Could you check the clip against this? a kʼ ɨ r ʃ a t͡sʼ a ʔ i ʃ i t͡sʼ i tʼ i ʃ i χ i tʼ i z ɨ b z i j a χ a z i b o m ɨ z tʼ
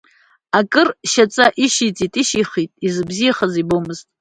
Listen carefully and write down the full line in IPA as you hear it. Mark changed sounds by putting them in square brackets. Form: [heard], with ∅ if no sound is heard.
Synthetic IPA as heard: a kʼ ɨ r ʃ a t͡sʼ a ʔ i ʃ i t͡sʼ i tʼ i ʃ i χ i tʼ i z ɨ b z i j a χ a z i b o m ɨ z tʼ